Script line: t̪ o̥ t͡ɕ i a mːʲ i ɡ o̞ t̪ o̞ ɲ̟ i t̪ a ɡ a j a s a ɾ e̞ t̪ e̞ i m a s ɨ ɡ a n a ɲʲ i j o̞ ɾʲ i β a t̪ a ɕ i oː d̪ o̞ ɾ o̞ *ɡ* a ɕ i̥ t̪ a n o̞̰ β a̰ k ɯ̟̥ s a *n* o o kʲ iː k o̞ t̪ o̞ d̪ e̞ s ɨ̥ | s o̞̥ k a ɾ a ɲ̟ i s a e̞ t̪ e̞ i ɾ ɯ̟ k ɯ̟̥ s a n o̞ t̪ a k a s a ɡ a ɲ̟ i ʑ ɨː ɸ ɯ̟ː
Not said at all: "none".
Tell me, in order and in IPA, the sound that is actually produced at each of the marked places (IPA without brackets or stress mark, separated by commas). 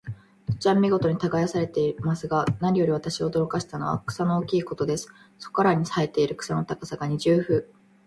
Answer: k, n